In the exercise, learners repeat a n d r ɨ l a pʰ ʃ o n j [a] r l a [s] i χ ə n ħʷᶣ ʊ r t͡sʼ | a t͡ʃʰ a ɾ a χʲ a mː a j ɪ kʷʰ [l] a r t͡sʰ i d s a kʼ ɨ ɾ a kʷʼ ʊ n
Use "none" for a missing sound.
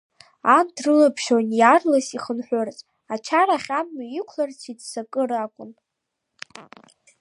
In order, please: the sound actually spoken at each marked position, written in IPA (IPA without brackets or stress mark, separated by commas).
a, s, l